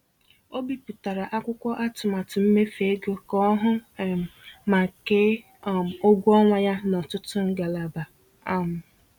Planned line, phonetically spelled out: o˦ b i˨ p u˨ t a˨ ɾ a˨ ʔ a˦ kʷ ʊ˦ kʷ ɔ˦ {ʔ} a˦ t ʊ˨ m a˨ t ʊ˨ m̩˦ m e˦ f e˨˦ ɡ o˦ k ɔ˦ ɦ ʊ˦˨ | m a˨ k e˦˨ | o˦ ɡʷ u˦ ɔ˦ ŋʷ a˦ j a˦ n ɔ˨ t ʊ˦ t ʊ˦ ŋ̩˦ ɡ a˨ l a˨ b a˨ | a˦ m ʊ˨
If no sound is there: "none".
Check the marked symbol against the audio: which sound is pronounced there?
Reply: ʔ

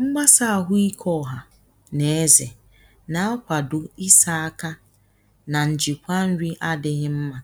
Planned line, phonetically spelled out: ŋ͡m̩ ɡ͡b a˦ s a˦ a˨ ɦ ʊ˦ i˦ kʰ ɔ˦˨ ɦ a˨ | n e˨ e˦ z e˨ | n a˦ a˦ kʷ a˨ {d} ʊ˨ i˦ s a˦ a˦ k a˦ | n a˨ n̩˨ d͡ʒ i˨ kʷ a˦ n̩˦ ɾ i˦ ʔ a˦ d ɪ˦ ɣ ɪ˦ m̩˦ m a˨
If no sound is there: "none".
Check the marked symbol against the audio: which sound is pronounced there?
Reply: d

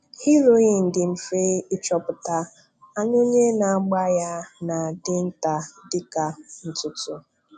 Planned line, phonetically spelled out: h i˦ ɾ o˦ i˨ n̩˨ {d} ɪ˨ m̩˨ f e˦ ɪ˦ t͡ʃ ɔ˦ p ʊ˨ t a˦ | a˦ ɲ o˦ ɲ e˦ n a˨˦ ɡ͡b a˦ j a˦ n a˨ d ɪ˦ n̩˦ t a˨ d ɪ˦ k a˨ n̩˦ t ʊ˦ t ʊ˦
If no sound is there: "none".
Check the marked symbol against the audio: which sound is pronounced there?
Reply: d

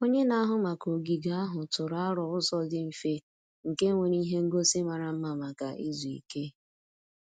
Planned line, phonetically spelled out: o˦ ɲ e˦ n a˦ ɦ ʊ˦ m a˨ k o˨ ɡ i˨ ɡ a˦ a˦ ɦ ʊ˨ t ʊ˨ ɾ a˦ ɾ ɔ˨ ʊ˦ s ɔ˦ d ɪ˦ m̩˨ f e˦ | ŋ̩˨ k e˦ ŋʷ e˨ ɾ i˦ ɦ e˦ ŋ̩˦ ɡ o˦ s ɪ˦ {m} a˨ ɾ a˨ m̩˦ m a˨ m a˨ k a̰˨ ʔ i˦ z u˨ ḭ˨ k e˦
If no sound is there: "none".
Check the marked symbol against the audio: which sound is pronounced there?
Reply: m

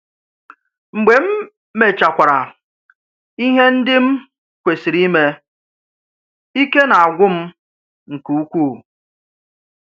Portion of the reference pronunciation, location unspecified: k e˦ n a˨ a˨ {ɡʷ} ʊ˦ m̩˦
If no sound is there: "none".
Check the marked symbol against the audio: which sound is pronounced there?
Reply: ɡʷ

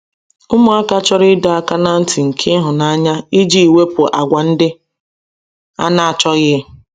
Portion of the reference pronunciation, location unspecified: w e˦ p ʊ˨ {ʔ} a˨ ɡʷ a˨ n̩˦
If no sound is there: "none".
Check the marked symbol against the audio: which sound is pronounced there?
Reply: ʔ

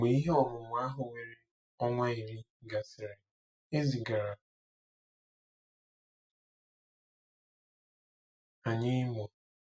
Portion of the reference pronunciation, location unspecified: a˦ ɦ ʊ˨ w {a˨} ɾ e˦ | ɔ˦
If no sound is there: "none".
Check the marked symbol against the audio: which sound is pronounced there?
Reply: e˨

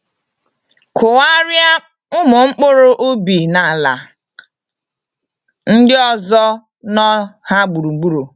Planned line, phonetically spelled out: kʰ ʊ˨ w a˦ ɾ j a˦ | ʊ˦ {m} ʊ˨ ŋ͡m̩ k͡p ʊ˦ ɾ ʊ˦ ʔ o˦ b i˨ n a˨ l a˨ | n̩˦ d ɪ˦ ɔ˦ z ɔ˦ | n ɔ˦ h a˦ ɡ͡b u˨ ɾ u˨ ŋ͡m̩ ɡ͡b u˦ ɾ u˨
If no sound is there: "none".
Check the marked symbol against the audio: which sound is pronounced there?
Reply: m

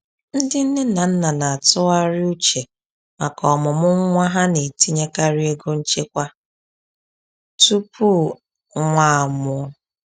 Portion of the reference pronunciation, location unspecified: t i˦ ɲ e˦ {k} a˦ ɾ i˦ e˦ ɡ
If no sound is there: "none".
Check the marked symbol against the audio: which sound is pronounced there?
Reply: k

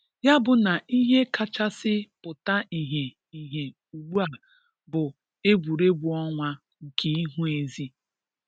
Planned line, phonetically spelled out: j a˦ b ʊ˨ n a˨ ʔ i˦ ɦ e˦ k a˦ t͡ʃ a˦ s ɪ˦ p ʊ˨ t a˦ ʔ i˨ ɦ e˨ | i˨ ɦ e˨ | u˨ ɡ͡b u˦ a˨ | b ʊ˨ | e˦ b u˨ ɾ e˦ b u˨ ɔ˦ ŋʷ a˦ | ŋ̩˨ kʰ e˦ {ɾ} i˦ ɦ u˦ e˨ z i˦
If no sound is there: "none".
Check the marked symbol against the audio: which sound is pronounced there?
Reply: none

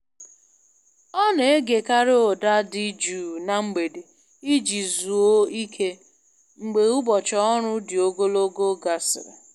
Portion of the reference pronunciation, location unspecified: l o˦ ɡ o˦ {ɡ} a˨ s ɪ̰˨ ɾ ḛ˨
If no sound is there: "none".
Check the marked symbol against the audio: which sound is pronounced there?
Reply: ɡ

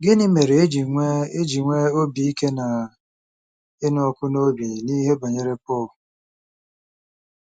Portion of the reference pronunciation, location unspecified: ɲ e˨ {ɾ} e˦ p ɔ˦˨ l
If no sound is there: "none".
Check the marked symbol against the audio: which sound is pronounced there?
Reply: ɾ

